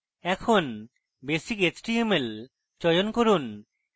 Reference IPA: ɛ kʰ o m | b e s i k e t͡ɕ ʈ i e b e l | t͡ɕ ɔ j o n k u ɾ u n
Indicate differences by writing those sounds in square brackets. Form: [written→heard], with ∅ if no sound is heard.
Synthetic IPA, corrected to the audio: ɛ kʰ o [m→n] | b e s i k e t͡ɕ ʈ i e [b→m] e l | t͡ɕ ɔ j o n k [u→o] ɾ u n